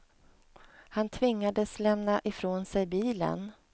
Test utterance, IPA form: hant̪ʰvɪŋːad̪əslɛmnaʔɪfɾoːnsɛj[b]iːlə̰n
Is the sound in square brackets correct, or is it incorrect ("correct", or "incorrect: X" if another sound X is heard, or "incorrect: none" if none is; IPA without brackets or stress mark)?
correct